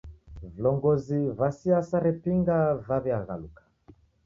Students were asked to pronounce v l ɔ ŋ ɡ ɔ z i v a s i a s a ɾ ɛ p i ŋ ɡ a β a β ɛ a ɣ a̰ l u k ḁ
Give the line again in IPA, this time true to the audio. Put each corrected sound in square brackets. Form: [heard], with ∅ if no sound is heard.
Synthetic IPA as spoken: v l ɔ ŋ ɡ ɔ z i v a s i a s a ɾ ɛ p i ŋ ɡ a [v] a β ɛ a ɣ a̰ l u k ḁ